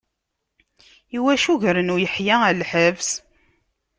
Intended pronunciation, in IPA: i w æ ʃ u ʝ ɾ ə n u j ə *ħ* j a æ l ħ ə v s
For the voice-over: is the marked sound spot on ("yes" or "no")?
yes